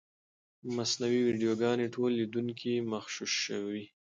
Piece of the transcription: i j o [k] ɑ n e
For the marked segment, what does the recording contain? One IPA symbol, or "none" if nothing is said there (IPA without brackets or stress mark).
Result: ɡ